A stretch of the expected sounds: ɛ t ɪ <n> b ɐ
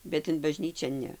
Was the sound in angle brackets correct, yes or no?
yes